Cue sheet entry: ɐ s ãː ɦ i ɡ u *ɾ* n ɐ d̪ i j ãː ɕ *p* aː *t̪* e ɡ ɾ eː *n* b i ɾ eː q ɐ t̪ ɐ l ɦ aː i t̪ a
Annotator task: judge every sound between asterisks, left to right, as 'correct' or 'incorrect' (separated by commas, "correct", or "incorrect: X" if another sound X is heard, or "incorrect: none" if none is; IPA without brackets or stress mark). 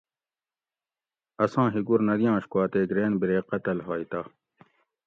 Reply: correct, incorrect: k, correct, correct